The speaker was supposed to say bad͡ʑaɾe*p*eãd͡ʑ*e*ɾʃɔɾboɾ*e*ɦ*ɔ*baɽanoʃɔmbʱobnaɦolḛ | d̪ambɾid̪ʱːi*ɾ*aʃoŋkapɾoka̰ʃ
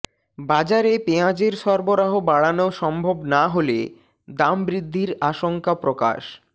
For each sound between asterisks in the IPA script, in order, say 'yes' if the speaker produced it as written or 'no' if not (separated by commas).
yes, yes, no, no, yes